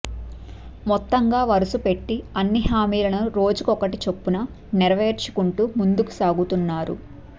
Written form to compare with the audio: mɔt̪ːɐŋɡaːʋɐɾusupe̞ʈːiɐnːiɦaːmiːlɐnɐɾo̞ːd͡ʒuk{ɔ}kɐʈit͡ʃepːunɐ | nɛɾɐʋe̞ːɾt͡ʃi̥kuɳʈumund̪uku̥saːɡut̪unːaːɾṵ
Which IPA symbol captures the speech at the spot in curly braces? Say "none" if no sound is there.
ɔ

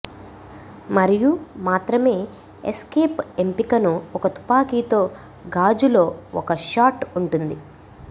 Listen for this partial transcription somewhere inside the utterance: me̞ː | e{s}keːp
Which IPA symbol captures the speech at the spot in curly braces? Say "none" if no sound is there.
s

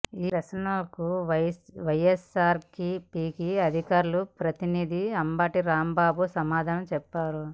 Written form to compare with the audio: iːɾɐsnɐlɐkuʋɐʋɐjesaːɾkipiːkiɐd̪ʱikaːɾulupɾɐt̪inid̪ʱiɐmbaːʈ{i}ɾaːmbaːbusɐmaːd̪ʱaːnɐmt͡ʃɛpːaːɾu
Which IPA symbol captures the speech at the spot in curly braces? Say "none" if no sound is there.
i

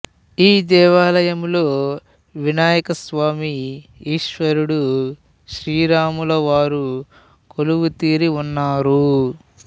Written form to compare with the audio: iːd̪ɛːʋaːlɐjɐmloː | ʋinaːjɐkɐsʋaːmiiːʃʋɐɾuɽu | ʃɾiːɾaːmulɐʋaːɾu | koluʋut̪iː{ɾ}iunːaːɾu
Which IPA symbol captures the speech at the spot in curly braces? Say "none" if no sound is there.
ɾ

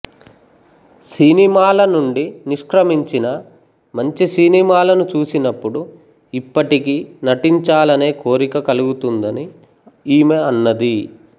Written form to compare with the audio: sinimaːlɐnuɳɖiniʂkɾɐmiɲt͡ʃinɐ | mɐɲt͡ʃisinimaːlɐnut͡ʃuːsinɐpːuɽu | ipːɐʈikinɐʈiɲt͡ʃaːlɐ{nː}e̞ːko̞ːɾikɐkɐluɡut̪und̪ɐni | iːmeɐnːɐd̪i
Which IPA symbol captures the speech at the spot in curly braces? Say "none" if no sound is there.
n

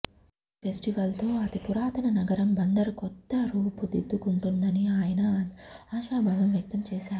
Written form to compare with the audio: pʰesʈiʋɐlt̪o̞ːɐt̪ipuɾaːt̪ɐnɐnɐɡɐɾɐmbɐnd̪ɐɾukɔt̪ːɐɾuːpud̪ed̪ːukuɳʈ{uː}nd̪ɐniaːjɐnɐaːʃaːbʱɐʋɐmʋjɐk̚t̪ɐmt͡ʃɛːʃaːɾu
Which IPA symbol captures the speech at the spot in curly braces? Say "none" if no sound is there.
u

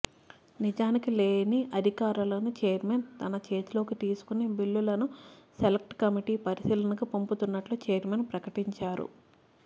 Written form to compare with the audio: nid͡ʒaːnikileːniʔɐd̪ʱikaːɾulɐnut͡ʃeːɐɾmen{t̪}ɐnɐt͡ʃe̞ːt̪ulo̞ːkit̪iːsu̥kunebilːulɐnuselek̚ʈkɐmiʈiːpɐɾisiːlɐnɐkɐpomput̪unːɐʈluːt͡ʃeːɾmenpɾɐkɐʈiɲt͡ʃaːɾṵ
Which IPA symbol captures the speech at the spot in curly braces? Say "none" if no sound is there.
t̪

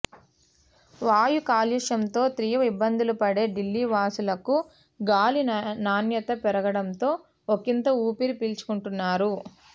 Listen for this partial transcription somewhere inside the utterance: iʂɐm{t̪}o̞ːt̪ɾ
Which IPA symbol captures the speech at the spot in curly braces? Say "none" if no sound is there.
t̪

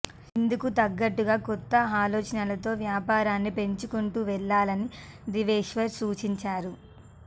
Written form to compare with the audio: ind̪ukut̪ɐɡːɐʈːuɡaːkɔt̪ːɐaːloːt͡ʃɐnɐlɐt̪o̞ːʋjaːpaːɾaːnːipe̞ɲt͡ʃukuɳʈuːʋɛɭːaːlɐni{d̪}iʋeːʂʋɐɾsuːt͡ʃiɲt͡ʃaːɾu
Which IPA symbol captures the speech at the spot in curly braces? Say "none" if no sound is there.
d̪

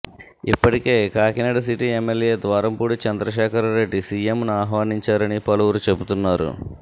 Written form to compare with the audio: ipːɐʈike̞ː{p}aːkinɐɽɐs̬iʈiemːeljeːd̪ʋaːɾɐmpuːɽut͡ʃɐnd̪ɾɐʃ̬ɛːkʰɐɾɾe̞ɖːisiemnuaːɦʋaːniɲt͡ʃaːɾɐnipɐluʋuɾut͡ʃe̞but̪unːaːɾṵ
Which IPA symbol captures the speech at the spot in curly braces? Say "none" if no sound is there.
k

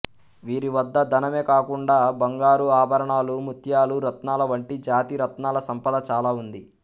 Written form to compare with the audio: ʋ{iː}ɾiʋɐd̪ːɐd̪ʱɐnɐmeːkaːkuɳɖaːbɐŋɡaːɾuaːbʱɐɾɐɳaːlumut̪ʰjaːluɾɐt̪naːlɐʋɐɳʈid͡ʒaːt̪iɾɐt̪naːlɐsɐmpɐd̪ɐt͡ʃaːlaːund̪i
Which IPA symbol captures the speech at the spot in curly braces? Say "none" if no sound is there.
iː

